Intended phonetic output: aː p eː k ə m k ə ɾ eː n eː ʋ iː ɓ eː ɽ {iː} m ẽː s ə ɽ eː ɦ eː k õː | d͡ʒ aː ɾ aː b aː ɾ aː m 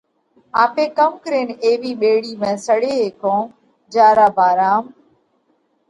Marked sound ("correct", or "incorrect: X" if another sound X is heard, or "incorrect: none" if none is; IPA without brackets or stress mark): correct